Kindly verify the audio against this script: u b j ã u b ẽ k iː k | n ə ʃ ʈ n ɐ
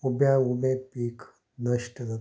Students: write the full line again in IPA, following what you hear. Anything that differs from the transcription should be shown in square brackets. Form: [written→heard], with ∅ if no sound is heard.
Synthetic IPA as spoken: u b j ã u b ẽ [k→p] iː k | n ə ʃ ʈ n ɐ